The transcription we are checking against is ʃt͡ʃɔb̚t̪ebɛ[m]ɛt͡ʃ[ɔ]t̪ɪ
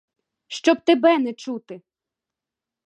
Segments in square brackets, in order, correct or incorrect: incorrect: n, incorrect: u

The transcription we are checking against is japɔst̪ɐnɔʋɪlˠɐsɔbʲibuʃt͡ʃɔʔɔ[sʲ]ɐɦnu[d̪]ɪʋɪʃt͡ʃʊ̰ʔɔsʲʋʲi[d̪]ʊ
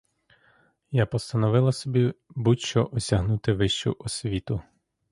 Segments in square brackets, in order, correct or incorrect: correct, incorrect: t̪, incorrect: t̪

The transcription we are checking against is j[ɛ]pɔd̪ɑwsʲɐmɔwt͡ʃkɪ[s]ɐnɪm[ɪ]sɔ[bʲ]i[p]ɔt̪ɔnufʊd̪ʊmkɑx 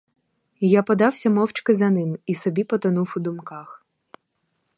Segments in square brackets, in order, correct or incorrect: incorrect: a, incorrect: z, incorrect: i, correct, correct

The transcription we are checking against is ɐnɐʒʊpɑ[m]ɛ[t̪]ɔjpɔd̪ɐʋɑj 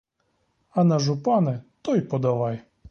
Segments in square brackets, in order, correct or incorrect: incorrect: n, correct

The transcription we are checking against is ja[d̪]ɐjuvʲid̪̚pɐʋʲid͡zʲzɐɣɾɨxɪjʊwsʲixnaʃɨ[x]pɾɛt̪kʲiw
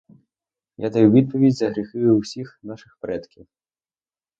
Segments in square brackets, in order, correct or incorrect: correct, correct

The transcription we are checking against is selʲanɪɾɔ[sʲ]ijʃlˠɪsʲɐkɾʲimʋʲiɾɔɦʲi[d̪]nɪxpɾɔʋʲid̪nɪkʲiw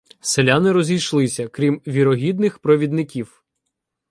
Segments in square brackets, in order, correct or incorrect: incorrect: zʲ, correct

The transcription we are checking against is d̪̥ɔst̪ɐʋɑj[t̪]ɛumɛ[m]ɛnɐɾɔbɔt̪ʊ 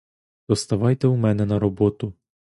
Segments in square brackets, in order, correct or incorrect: correct, incorrect: n

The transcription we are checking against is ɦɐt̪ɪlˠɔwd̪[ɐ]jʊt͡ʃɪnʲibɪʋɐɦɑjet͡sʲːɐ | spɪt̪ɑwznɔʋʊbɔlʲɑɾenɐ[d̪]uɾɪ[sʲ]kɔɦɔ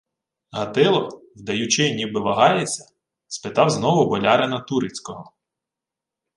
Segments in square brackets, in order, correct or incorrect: correct, incorrect: t̪, incorrect: t͡sʲ

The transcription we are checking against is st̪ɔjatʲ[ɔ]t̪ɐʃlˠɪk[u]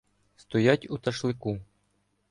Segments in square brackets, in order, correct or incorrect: incorrect: u, correct

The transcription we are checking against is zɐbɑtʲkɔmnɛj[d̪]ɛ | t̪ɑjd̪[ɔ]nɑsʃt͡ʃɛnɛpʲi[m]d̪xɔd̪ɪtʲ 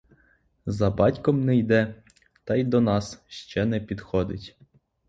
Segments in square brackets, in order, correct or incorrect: correct, correct, incorrect: none

